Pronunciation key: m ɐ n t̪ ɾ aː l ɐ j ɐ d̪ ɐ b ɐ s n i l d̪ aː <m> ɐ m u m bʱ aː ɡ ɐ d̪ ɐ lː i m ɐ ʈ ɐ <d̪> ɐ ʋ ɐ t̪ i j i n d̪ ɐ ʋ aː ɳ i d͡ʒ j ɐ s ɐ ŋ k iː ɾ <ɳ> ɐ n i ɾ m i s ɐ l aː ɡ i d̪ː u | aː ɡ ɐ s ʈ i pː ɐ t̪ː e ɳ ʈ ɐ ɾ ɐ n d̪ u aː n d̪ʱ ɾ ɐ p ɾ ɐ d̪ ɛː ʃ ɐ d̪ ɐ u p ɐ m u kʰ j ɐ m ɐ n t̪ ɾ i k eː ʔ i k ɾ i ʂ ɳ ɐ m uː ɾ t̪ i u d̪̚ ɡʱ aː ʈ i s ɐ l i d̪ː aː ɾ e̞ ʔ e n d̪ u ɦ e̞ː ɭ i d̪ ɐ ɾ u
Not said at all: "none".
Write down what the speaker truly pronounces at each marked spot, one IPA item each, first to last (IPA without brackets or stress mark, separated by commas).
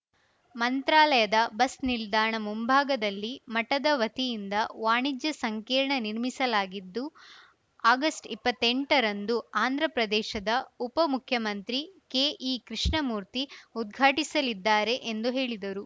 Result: ɳ, d̪, ɳ